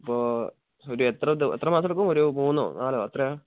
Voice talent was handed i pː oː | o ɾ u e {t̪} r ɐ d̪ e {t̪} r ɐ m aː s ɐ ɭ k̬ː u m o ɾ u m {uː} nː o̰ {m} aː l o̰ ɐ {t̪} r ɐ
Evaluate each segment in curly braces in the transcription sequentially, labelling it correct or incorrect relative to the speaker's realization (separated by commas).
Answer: correct, correct, correct, incorrect, correct